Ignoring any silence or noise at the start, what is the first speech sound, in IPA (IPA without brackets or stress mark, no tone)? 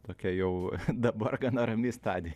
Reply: t̪